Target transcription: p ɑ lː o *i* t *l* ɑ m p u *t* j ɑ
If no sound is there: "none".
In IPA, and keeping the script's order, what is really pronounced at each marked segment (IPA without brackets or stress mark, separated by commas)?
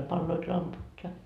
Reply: i, l, t